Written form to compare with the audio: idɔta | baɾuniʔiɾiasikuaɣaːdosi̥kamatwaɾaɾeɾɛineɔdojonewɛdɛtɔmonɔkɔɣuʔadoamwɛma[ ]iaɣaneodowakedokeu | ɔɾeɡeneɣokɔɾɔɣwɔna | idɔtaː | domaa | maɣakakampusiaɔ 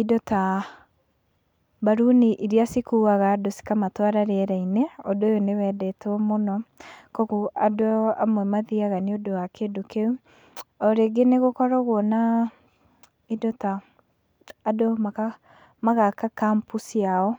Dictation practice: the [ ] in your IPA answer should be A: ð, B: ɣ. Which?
A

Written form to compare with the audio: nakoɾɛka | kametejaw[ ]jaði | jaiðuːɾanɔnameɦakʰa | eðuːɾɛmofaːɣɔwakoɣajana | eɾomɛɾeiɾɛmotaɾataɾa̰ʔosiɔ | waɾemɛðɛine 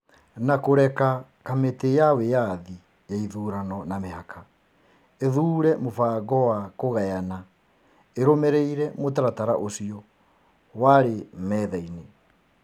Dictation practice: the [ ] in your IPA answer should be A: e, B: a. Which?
A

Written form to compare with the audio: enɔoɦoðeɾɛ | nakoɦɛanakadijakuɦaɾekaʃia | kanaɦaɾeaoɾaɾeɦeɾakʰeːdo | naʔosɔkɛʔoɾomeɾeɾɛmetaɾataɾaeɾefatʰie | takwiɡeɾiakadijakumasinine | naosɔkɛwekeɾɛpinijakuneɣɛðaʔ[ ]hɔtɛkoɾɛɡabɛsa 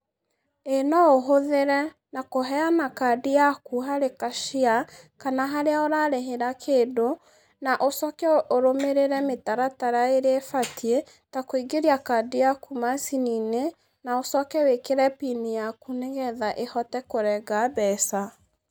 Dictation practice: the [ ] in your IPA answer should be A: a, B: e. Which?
B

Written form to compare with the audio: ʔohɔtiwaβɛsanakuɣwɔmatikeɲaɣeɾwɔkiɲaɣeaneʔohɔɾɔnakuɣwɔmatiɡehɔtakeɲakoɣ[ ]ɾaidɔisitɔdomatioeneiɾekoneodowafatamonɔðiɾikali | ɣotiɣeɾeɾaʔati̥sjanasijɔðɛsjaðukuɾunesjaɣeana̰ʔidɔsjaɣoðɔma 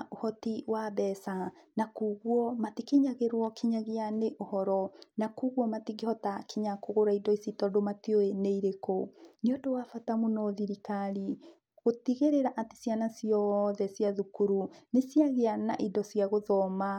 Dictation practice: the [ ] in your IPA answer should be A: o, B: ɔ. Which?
A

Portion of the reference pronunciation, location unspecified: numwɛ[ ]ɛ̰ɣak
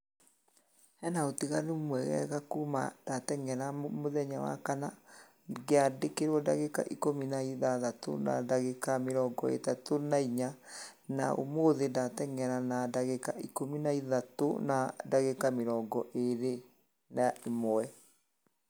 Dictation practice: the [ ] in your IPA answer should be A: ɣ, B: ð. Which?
A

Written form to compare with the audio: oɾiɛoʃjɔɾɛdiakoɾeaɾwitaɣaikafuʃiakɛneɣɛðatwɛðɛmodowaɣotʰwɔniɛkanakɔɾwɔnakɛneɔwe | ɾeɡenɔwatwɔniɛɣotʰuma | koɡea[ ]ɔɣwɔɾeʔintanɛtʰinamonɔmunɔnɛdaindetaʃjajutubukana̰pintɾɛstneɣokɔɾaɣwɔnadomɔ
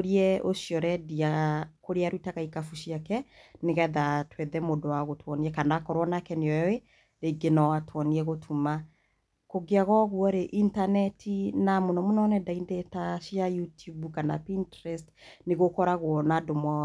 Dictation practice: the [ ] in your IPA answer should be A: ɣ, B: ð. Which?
A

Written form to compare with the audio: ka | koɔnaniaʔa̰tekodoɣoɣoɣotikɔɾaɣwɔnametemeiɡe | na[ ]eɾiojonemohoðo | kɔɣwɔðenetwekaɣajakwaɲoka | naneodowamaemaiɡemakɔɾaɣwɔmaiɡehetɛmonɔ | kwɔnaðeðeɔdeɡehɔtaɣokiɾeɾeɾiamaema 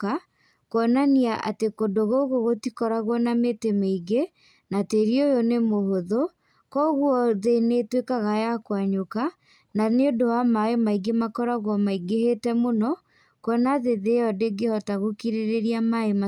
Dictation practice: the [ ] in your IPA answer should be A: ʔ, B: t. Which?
B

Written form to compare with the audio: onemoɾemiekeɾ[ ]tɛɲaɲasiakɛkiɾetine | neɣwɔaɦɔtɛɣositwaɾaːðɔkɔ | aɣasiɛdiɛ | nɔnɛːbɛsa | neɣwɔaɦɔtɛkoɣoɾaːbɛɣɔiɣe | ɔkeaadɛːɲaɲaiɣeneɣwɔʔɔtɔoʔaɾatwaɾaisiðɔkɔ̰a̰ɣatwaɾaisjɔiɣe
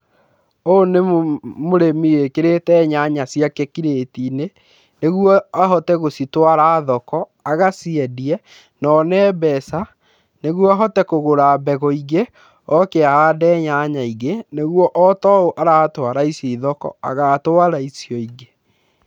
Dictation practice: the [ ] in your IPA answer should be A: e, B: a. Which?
A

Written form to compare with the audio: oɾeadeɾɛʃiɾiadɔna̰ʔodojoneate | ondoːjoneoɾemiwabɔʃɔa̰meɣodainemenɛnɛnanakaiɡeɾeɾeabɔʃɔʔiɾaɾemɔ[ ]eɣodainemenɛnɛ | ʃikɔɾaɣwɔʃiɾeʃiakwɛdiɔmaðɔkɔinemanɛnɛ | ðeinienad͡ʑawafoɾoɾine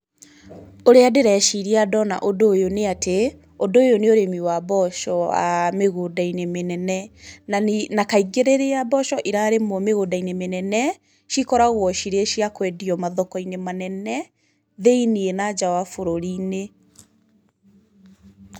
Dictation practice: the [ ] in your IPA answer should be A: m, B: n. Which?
A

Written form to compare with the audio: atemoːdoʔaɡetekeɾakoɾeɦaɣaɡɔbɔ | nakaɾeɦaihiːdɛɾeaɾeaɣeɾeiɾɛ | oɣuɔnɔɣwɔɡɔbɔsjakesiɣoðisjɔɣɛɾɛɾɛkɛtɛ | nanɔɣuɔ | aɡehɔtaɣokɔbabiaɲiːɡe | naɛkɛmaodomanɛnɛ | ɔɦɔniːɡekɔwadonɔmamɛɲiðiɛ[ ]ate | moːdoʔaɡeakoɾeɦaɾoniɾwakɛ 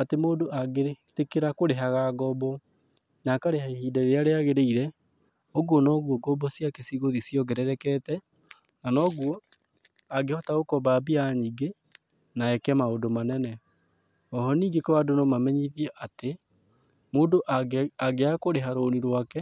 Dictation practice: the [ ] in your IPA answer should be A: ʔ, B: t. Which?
A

